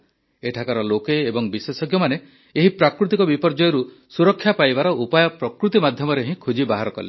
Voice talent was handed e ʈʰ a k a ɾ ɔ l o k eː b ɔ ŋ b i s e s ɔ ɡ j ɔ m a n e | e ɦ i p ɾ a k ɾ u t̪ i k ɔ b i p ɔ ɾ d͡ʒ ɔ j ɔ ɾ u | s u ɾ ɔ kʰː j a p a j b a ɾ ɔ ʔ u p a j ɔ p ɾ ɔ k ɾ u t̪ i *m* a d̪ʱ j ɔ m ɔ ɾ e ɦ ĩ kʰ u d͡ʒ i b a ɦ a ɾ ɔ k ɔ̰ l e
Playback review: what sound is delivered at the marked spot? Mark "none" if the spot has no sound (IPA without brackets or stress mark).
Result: m